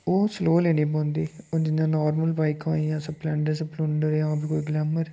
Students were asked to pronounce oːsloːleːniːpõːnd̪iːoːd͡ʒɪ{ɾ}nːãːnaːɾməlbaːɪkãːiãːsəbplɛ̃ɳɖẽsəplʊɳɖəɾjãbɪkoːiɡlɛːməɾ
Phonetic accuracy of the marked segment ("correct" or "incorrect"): incorrect